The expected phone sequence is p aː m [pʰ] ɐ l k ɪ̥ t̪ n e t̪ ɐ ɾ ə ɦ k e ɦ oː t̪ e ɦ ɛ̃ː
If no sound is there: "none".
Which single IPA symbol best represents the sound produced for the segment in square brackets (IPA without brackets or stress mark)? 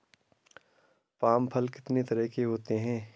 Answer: pʰ